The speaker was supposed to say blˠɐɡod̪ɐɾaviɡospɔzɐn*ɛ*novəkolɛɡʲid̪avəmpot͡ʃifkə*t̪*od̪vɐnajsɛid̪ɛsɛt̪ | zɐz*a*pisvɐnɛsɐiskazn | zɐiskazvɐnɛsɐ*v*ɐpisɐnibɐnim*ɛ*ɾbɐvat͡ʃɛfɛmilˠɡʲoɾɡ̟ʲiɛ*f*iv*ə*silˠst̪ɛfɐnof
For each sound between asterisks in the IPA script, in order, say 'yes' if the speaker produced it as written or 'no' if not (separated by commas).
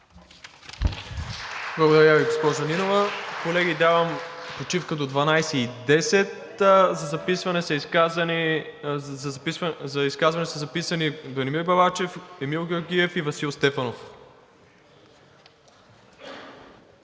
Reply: no, no, no, no, no, yes, no